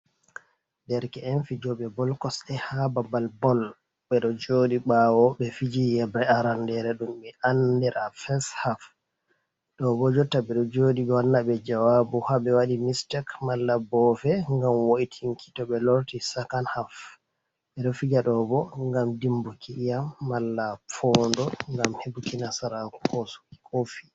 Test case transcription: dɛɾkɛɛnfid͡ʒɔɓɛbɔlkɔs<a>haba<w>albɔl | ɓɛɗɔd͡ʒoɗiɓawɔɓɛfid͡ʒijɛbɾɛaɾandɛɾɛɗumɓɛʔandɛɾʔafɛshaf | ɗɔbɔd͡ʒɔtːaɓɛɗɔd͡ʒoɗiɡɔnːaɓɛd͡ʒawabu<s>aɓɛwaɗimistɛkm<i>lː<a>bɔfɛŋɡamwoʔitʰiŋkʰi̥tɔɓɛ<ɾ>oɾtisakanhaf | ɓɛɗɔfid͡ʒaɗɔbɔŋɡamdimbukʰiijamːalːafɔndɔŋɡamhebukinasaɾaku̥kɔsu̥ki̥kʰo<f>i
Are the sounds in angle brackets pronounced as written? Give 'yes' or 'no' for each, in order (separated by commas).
no, no, no, no, yes, no, yes